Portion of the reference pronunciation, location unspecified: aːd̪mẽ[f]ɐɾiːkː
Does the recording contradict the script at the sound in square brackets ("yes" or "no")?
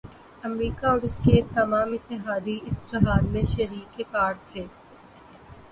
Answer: yes